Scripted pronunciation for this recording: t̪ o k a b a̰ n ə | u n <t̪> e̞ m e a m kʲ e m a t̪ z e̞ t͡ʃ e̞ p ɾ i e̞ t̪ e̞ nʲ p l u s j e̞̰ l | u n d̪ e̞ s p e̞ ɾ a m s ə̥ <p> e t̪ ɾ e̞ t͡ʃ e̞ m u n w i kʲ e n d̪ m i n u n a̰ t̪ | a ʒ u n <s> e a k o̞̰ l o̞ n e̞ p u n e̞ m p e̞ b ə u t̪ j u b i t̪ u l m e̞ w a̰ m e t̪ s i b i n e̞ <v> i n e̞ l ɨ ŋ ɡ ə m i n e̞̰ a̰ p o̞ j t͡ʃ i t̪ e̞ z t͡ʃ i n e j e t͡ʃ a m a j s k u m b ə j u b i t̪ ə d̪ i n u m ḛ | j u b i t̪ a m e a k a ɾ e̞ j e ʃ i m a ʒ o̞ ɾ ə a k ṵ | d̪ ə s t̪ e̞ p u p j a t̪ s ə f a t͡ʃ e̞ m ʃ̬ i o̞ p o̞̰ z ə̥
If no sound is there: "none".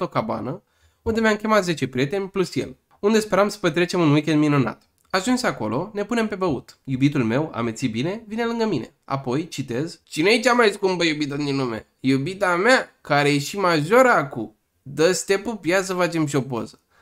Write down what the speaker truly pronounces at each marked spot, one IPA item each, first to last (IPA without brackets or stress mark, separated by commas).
d̪, p, s, v